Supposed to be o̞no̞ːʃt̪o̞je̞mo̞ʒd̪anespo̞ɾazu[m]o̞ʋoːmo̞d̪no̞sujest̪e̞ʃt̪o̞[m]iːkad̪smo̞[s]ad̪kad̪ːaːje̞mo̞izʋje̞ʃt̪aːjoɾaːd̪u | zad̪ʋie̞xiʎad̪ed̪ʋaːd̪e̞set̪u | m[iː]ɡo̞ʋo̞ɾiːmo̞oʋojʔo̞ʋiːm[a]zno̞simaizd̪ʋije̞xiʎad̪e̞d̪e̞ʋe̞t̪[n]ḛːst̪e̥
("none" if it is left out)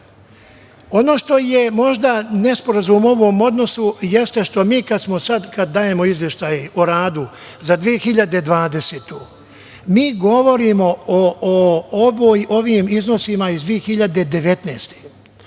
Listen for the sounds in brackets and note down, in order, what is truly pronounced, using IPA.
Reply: m, m, s, iː, i, n

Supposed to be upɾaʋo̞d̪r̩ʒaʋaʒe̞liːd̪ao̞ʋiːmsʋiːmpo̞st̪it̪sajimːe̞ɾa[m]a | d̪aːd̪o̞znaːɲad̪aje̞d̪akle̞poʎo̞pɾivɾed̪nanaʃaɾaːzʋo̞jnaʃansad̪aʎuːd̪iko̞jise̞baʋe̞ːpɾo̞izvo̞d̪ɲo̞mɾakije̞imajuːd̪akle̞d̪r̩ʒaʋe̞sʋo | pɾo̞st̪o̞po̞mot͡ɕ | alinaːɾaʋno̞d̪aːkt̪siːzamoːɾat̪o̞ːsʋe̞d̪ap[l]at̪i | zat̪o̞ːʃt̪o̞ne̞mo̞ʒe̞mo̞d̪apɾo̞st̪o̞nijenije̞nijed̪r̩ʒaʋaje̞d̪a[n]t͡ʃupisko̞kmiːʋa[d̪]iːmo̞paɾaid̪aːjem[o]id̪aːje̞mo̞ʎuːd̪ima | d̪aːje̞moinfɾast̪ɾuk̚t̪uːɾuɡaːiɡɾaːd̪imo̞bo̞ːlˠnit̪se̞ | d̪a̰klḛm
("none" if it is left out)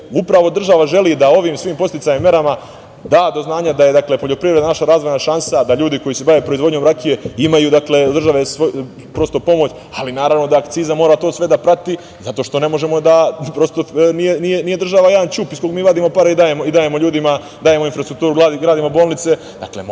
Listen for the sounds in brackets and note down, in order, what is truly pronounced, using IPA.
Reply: m, ɾ, n, d̪, o

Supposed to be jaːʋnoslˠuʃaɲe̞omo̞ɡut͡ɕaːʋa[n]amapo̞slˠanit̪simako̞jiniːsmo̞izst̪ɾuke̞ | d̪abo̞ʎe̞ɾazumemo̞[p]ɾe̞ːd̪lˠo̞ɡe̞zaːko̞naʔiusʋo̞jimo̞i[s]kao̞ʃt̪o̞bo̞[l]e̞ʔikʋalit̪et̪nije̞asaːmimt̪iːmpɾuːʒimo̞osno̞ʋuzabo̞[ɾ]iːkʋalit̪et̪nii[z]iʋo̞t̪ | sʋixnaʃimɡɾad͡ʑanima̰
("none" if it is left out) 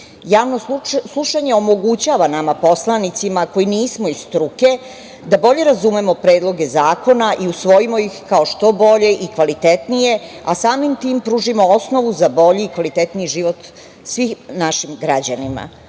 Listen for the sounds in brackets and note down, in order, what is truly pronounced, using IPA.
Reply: n, p, x, ʎ, ʎ, ʒ

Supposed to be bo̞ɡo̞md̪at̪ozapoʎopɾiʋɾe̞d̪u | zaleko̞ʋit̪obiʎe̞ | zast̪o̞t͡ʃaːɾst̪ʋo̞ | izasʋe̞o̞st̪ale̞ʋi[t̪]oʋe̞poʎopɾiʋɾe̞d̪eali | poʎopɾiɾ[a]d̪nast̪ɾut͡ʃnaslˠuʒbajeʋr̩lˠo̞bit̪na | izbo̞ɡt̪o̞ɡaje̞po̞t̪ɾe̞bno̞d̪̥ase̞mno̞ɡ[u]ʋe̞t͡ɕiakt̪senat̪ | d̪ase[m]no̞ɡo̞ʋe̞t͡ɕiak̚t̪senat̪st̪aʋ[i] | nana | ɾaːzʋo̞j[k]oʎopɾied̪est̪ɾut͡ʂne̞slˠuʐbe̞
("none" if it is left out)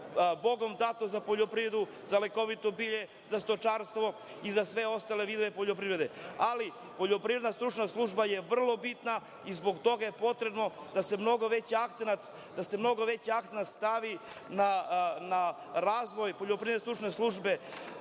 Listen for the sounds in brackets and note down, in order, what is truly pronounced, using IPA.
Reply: d̪, e, o, m, i, p

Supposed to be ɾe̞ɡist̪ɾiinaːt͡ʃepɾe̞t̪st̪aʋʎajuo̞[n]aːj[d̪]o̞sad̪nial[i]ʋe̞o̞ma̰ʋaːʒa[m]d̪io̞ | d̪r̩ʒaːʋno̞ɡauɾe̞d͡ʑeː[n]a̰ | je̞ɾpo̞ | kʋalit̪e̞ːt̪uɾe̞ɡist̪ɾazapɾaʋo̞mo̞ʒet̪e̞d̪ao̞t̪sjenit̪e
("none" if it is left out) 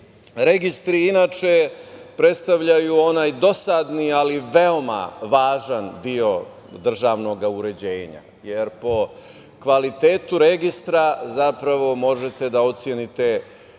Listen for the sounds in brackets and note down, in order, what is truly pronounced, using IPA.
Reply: n, d̪, i, n, ɲ

